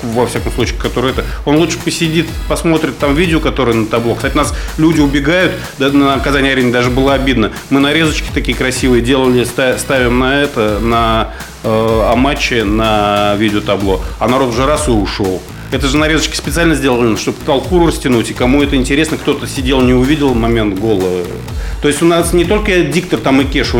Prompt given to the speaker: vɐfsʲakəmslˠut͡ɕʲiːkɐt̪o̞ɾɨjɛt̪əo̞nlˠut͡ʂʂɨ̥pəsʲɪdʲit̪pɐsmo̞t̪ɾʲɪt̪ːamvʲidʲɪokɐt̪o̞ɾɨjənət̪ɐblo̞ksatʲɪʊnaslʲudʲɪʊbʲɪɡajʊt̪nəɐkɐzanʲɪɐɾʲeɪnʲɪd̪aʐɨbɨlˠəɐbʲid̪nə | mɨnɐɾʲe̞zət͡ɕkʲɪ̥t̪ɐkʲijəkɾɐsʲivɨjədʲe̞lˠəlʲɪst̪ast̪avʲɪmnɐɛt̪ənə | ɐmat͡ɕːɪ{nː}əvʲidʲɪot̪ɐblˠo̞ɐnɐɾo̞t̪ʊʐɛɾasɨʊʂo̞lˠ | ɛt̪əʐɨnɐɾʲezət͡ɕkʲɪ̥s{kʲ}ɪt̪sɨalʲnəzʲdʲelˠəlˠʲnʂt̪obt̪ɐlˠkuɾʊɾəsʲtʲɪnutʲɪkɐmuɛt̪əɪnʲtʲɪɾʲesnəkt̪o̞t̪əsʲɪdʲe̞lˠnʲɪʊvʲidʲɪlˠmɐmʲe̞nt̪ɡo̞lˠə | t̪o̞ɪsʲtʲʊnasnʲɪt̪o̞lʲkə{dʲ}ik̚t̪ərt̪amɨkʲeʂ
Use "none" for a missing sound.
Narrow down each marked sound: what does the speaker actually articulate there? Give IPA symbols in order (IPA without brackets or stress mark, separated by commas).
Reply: n, pʲ, dʲ